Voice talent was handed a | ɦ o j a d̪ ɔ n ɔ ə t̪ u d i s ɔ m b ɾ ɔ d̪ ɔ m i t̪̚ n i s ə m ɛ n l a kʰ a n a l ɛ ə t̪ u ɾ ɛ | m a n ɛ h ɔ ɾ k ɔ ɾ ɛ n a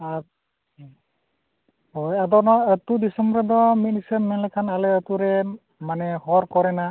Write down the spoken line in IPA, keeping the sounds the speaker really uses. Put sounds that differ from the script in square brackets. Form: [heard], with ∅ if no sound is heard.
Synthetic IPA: a | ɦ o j a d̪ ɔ n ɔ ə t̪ u d i s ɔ m b ɾ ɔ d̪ ɔ m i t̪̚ n i s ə m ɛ n l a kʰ a n a l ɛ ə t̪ u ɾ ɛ | m a n ɛ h ɔ ɾ k ɔ ɾ ɛ n a